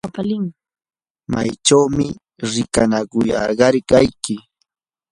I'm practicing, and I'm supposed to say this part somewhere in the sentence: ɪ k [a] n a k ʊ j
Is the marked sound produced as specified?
yes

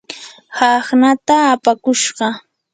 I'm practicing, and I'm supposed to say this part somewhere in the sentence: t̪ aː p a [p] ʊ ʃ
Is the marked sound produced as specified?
no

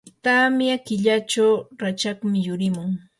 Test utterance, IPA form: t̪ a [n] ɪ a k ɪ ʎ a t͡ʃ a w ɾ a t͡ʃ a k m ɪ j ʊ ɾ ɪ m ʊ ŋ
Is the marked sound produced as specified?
no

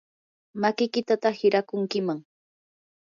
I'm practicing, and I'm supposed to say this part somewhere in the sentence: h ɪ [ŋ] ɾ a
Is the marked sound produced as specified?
no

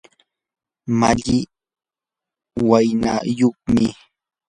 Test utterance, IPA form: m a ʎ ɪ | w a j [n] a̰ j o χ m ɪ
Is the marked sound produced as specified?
yes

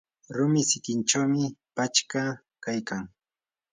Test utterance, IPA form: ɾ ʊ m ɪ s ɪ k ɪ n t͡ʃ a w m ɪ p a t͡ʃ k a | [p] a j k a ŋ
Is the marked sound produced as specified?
no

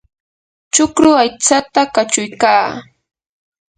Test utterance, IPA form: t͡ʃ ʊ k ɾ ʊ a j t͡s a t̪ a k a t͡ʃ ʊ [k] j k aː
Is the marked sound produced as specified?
no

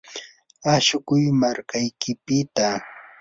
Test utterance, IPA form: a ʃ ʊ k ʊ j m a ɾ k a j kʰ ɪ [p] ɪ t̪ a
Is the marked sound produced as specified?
yes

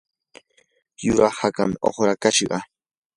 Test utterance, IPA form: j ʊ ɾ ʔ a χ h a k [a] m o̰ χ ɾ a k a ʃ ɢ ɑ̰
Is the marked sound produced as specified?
yes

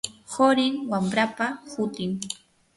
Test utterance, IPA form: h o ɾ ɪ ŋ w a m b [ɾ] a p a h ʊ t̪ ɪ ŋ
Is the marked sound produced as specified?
yes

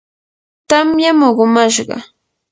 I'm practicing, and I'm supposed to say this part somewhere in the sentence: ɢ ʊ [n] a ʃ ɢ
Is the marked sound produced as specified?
no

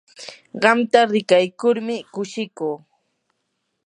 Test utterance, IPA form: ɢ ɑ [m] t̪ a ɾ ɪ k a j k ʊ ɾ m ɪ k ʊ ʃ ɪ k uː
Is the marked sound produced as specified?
yes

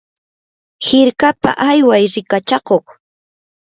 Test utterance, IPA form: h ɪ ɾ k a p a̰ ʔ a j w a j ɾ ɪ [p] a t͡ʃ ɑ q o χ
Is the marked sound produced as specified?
no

